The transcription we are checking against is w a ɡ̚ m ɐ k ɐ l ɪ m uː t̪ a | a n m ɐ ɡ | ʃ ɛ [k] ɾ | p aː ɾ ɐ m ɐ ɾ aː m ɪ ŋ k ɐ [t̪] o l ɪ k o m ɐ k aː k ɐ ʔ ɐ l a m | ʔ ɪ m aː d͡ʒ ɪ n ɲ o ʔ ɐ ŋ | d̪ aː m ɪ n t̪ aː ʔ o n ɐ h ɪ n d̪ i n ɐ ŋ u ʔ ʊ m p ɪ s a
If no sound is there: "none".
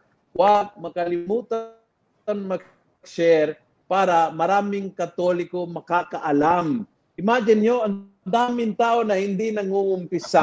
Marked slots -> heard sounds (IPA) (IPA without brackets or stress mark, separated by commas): none, t̪